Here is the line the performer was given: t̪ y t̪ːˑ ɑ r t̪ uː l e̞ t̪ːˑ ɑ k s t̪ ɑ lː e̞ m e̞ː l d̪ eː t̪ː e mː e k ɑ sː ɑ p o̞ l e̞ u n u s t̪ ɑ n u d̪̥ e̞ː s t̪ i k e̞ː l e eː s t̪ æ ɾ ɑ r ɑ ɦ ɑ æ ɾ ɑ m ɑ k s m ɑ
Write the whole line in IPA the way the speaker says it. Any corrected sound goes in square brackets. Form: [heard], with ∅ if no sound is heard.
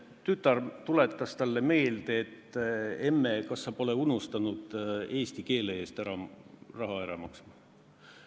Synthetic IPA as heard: t̪ y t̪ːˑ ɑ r t̪ [u] l e̞ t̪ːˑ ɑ [∅] s t̪ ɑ lː e̞ m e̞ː l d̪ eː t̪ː e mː e k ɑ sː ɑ p o̞ l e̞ u n u s t̪ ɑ n u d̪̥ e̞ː s t̪ i k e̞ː l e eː s t̪ æ ɾ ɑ r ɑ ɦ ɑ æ ɾ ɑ m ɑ k s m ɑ